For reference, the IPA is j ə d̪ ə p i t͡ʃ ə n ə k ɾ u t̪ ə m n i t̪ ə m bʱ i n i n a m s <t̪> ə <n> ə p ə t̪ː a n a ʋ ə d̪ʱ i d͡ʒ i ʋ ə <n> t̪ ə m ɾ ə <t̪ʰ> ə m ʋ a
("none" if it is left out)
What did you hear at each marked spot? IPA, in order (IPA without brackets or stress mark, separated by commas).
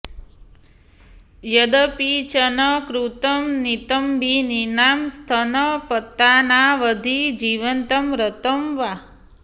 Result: t̪ʰ, n, n, t̪